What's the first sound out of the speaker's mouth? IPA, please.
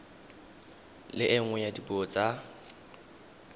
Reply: l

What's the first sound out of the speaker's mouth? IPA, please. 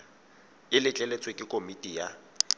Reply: ɪ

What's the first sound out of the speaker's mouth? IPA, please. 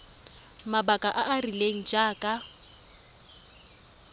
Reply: m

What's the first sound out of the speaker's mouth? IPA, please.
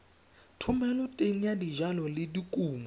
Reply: tʰ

